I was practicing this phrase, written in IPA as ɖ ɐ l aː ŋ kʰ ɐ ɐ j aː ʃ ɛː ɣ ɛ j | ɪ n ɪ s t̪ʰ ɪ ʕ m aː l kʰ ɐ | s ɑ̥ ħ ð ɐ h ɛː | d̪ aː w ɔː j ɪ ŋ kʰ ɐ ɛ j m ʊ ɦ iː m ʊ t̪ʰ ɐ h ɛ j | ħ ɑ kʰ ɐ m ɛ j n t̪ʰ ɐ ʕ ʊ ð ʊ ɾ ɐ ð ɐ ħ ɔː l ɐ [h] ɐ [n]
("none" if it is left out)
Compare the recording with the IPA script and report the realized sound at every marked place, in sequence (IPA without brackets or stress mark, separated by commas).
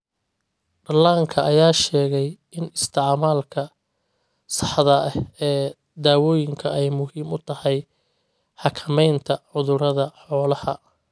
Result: h, none